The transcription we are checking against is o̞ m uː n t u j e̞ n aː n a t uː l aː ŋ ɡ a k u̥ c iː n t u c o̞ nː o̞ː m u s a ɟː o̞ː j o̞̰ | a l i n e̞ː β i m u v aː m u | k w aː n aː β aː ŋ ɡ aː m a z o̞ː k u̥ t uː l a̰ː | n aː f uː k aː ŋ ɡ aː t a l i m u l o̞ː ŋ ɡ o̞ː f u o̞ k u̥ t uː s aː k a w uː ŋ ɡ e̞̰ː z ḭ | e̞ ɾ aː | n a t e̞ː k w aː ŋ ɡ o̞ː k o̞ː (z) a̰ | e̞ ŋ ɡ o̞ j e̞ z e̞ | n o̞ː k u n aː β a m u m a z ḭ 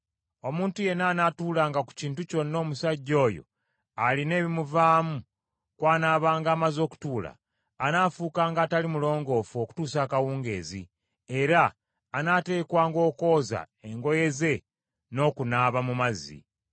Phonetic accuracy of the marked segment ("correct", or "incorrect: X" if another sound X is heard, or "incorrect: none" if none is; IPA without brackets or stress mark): correct